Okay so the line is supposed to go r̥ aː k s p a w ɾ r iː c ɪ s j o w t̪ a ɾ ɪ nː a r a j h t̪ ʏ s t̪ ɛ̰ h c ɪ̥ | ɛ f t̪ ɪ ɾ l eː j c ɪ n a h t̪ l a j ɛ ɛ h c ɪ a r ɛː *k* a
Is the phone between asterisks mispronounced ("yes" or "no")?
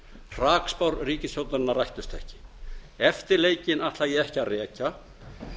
yes